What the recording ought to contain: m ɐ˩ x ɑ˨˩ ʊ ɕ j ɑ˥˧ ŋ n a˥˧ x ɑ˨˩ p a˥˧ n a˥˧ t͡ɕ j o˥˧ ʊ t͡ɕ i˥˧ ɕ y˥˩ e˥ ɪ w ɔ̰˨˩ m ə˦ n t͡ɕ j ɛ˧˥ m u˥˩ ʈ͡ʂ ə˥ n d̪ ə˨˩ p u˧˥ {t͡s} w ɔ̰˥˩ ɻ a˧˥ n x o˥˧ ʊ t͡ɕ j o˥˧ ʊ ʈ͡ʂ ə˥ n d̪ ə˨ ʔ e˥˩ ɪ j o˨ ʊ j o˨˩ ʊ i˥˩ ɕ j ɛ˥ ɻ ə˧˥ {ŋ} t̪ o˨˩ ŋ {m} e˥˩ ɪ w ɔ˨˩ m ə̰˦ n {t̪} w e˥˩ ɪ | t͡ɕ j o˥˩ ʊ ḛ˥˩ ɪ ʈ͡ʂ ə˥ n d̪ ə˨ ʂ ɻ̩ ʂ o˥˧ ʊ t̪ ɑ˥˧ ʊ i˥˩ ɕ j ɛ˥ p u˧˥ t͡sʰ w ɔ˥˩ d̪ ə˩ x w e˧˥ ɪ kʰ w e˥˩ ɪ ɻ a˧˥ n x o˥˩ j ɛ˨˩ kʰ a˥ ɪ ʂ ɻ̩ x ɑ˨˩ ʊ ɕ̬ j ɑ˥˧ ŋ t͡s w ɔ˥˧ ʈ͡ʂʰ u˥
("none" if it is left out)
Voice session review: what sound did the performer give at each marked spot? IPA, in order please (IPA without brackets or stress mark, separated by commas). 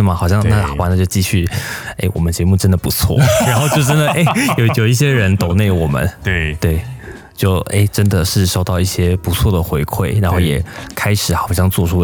t͡sʰ, n, n, t̪